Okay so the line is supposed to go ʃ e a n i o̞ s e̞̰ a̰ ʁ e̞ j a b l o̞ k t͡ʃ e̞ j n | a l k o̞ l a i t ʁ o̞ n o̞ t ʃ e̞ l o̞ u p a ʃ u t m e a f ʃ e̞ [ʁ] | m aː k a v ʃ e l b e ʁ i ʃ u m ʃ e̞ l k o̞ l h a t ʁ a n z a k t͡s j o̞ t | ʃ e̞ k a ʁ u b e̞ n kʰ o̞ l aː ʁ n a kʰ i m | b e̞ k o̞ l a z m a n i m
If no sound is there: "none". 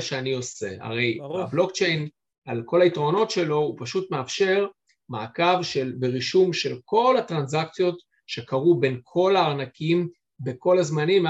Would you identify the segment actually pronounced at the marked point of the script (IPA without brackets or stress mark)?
ʁ